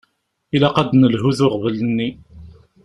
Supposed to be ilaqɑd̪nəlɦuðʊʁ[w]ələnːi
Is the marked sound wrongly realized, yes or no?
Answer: yes